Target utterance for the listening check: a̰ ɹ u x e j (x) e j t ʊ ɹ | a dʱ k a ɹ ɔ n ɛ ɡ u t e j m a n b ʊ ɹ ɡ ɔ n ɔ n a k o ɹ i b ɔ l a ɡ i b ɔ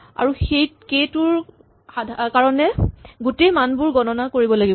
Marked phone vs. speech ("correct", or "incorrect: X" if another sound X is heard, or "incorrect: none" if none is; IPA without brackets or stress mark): incorrect: k